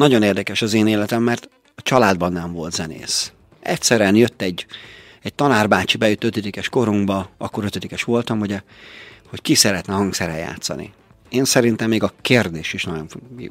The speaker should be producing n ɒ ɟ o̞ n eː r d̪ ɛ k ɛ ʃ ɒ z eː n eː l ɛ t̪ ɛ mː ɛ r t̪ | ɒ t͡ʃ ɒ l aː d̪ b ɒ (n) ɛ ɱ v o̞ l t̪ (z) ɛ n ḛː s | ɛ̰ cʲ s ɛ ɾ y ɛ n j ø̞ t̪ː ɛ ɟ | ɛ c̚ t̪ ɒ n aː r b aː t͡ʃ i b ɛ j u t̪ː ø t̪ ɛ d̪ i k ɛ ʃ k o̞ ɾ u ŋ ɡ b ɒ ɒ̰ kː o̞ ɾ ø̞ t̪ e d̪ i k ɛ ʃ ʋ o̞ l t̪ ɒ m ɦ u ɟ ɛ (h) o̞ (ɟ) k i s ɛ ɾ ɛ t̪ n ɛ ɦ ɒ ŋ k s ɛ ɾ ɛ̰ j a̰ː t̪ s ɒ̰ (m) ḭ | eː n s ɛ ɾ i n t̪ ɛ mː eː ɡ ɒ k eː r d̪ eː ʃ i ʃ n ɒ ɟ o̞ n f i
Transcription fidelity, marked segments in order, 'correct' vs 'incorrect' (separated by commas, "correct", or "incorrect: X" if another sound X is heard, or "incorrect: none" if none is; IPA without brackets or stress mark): incorrect: nː, correct, correct, incorrect: c, incorrect: n